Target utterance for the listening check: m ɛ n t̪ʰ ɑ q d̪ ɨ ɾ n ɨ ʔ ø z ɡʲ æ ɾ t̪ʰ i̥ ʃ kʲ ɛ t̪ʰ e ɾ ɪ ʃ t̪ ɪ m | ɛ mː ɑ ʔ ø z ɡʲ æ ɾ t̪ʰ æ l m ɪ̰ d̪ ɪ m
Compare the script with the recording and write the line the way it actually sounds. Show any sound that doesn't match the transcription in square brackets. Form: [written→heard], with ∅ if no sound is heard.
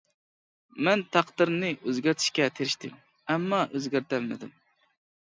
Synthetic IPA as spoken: m ɛ n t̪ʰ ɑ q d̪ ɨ ɾ n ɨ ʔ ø z ɡʲ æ ɾ t̪ʰ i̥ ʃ kʲ ɛ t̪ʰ e ɾ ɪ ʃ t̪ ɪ m | ɛ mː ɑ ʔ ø z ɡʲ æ ɾ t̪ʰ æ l m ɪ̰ d̪ ɪ m